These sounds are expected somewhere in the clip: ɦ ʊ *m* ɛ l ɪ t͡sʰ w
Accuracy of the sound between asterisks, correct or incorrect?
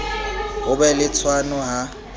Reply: incorrect